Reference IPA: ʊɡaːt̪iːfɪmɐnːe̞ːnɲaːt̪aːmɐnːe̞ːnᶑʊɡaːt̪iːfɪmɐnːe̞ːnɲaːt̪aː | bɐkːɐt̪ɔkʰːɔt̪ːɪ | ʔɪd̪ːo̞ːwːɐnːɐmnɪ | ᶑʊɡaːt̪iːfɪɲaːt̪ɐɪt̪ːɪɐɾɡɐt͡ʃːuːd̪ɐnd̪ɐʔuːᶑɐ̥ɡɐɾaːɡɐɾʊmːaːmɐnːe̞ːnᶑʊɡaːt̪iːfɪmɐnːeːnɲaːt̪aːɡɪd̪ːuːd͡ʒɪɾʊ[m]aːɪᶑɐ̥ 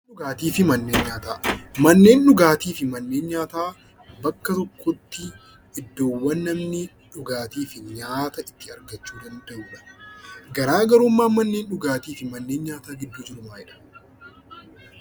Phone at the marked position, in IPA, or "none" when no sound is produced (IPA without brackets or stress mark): m